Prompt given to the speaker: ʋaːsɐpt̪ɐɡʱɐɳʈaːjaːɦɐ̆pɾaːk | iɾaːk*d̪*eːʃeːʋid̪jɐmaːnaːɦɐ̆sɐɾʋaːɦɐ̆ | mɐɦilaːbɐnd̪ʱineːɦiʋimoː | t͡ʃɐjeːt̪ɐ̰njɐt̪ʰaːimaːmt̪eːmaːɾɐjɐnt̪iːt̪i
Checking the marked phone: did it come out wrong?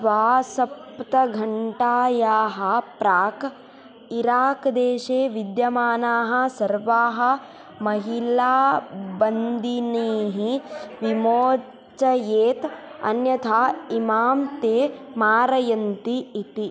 no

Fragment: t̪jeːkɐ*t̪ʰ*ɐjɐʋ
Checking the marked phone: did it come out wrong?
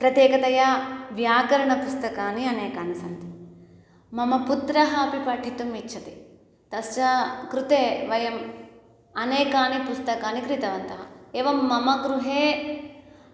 yes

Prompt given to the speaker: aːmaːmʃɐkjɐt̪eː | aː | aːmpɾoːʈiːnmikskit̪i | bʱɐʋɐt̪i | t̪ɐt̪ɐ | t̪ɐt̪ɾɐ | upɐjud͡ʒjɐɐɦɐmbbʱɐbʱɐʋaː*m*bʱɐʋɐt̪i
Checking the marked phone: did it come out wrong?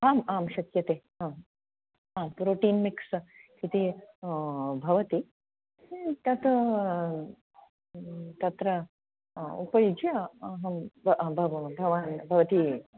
yes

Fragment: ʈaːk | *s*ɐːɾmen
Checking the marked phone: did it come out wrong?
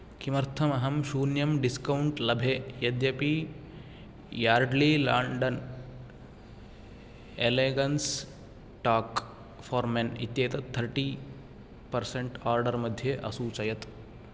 yes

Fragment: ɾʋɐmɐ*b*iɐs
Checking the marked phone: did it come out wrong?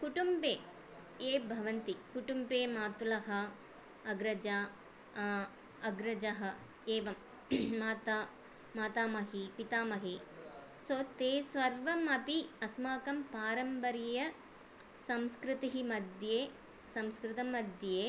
yes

